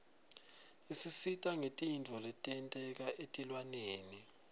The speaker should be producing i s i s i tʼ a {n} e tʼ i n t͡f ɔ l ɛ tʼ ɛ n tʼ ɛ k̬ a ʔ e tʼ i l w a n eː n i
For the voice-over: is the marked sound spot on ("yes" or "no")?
no